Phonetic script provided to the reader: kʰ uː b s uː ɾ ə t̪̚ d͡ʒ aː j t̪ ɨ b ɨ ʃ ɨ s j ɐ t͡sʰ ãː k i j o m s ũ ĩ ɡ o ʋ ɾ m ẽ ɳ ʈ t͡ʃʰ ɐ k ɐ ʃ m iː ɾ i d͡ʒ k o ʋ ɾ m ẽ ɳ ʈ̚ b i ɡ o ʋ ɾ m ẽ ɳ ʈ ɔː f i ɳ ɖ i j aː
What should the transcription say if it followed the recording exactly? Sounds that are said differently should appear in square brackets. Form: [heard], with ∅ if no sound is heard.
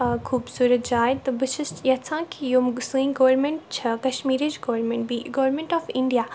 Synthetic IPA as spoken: kʰ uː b s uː ɾ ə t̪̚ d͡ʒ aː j t̪ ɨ b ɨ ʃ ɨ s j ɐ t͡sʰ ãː k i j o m s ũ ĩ ɡ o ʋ ɾ m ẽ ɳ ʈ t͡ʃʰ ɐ k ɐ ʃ m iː ɾ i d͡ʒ [ɡ] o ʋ ɾ m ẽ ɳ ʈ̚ b i ɡ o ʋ ɾ m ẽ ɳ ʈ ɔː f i ɳ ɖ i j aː